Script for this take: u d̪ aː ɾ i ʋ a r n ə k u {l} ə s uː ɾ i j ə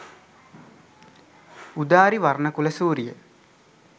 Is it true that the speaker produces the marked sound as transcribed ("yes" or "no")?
yes